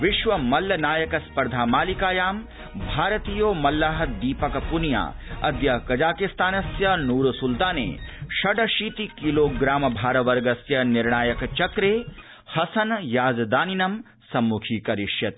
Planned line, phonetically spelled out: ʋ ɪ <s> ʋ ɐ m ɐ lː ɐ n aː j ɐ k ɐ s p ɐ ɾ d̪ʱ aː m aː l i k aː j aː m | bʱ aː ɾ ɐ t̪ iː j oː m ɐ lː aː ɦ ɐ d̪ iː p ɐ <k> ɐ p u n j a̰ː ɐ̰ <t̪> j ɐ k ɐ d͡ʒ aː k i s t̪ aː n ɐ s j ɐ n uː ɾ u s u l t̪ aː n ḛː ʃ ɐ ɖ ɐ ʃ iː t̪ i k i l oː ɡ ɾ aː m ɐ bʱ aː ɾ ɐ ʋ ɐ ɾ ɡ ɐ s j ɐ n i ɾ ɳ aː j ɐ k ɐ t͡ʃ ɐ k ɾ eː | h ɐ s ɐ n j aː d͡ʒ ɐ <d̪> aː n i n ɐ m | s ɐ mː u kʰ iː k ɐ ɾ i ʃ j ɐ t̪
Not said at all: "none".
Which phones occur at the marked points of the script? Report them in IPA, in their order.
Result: ʃ, k, d̪, d̪

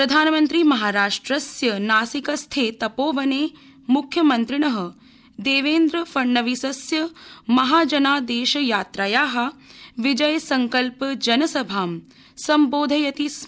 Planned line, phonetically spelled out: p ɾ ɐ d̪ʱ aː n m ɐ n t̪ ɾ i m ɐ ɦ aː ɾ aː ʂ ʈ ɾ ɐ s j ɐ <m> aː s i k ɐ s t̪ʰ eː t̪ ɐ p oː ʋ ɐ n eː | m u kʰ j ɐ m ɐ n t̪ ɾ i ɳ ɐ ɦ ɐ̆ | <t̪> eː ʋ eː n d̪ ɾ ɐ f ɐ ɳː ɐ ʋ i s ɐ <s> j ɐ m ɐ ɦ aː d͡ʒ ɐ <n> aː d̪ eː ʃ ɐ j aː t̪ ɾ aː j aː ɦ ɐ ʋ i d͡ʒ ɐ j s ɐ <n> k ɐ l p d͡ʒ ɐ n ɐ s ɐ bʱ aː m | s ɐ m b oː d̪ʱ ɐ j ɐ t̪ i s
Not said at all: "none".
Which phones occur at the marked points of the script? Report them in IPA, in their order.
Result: n, d̪, s, n, ŋ

